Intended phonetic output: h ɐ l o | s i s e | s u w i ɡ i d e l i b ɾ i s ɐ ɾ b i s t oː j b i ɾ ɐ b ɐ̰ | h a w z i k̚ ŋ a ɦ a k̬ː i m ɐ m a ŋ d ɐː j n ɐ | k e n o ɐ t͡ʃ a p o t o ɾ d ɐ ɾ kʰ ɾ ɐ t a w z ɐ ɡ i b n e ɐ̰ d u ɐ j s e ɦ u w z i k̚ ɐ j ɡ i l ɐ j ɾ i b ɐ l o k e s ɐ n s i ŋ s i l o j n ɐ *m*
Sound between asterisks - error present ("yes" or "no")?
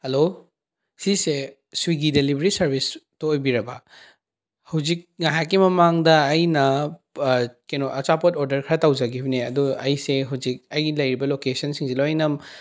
no